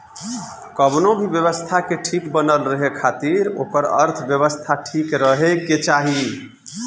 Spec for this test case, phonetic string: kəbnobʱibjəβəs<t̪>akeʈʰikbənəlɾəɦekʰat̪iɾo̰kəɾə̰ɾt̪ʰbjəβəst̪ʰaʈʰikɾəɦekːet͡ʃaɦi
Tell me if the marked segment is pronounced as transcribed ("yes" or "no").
no